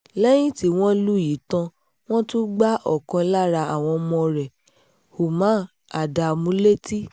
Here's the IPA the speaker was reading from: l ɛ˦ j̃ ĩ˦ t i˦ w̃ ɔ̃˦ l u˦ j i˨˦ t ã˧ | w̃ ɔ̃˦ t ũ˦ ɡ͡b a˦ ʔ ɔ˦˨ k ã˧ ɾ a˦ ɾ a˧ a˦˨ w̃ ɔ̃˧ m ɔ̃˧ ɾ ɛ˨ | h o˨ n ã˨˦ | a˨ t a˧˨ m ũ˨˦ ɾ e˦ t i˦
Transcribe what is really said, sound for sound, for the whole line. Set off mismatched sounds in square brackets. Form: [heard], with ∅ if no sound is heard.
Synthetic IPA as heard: l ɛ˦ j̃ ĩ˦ t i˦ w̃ ɔ̃˦ l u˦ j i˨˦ t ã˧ | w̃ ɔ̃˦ t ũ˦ ɡ͡b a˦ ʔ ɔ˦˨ k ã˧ [l] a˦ ɾ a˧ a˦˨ w̃ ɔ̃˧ m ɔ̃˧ ɾ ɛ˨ | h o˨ [m] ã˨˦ | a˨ [d] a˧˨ m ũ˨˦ [l] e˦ t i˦